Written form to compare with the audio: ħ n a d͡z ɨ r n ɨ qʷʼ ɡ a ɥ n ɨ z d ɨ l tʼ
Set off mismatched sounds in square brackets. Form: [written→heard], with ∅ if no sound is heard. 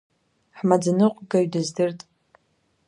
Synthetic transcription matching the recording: ħ [n→m] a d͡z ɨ [r→∅] n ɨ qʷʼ ɡ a ɥ [n→d] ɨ z d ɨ [l→r] tʼ